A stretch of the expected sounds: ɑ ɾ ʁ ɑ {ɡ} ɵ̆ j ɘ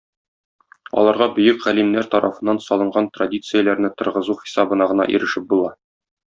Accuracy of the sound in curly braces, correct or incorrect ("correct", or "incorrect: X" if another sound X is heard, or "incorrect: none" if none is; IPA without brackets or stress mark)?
incorrect: b